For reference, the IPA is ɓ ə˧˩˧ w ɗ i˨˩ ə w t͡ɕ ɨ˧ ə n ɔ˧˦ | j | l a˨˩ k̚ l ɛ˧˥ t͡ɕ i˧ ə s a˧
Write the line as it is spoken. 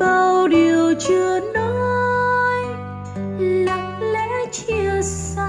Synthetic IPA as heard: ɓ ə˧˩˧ w ɗ i˨˩ ə w t͡ɕ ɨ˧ ə n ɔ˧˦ | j | l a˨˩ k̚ l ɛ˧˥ t͡ɕ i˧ ə s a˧